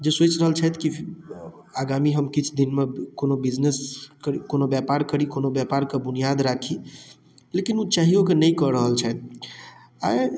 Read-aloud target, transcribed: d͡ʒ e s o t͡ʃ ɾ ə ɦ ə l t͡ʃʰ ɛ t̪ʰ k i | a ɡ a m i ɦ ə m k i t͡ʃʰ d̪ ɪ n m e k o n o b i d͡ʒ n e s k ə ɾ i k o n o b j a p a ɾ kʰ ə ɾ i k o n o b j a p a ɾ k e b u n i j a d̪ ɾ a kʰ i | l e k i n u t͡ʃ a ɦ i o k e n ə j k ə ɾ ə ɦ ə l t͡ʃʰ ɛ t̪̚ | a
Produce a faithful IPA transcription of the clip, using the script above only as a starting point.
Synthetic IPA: d͡ʒ e s o t͡ʃ ɾ ə ɦ ə l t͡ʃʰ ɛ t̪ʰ k i | a ɡ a m i ɦ ə m k i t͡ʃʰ d̪ i n m e k o n o b i d͡ʒ n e s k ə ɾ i k o n o b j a p a ɾ k ə ɾ i k o n o b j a p a ɾ k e b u n i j a d̪ ɾ a kʰ i | l e k i n u t͡ʃ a ɦ i o k e n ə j k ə ɾ ə ɦ ə l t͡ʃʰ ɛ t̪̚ | a